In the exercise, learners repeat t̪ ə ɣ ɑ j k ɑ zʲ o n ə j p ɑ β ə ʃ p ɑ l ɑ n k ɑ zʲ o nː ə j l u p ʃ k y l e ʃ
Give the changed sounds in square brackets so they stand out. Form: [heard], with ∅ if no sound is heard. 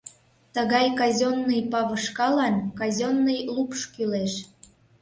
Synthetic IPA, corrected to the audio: t̪ ə ɣ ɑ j k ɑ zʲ o [nː] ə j p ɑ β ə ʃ [k] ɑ l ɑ n k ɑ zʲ o nː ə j l u p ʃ k y l e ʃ

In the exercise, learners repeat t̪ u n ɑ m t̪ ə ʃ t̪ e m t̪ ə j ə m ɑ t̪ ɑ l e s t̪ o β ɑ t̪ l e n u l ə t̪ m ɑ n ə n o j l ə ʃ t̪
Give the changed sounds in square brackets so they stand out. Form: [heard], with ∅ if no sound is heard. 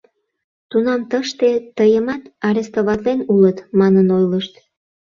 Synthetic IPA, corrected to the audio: t̪ u n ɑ m t̪ ə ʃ t̪ e [∅] t̪ ə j ə m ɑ t̪ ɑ [ɾ] e s t̪ o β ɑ t̪ l e n u l ə t̪ m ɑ n ə n o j l ə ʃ t̪

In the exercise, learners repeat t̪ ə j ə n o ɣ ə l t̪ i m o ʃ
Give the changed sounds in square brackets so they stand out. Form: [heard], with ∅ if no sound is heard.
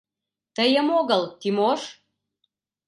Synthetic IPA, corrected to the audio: t̪ ə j ə [m] o ɣ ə l t̪ i m o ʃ

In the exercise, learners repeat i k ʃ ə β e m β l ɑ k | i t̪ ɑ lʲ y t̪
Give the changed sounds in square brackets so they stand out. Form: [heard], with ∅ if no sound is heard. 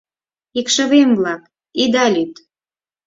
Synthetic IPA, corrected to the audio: i k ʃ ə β e m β l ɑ k | i [d̪] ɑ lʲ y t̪

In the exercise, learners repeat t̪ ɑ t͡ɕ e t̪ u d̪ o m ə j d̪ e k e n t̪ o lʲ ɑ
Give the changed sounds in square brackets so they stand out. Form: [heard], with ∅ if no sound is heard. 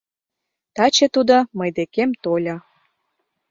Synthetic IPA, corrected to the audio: t̪ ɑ t͡ɕ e t̪ u d̪ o m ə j d̪ e k e [m] t̪ o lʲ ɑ

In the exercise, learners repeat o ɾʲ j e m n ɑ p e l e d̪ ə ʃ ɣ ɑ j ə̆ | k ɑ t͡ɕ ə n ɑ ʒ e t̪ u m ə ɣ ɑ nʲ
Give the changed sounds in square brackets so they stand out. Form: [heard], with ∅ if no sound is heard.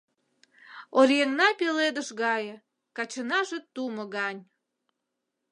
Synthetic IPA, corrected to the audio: o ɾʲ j e [ŋ] n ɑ p e l e d̪ ə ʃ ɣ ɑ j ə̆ | k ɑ t͡ɕ ə n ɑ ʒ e t̪ u m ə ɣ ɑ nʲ

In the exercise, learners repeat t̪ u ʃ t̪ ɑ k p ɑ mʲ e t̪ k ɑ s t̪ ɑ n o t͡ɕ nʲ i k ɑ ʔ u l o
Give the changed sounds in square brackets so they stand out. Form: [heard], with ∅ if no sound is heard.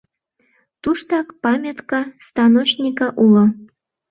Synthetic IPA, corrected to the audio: t̪ u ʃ t̪ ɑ k p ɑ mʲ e t̪ k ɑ s t̪ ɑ n o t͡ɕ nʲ i k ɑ ʔ u l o

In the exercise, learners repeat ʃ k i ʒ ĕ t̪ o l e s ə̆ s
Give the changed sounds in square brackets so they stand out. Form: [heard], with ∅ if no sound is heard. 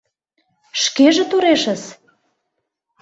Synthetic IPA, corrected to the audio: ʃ k [e] ʒ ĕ t̪ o [ɾ] e [ʃ] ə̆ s

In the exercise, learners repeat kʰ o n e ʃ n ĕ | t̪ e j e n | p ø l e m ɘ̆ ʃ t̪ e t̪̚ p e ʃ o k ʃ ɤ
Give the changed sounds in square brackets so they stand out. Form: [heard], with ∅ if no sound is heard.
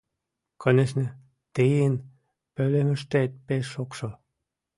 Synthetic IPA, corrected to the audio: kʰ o n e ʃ n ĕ | t̪ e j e n | p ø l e m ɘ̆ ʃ t̪ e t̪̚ p e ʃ o k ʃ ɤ

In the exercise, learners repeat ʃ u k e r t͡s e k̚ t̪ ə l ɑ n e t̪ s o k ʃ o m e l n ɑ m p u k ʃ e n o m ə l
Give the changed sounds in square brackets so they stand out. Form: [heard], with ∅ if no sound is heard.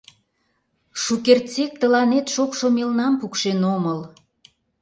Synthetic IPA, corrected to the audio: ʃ u k e r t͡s e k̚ t̪ ə l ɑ n e t̪ [ʃ] o k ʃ o m e l n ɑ m p u k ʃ e n o m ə l

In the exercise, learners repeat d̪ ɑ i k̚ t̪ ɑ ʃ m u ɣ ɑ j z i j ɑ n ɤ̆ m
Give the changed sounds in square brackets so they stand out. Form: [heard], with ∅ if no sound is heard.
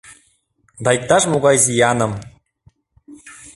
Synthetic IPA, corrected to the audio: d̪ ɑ [j] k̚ t̪ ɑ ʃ m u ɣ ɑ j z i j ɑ n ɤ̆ m

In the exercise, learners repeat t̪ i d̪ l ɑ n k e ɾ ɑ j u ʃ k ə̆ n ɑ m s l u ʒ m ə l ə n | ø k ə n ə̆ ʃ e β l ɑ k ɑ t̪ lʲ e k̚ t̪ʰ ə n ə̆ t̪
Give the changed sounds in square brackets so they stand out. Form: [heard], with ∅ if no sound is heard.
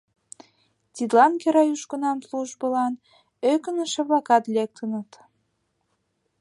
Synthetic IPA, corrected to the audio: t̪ i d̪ l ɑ n k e ɾ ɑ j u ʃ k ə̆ n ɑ m s l u ʒ [b] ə l [ɑ] n | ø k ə n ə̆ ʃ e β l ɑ k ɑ t̪ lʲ e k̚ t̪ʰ ə n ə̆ t̪

